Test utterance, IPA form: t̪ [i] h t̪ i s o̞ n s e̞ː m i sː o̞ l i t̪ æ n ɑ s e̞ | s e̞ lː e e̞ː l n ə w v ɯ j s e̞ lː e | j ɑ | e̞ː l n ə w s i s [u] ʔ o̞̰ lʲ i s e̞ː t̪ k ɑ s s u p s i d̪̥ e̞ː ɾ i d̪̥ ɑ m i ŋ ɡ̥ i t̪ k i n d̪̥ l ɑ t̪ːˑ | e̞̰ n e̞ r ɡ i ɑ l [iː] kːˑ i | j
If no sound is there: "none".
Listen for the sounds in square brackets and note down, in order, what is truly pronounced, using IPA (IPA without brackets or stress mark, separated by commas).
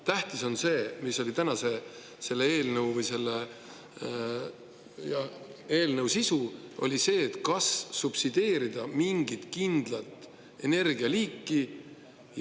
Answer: æ, u, iː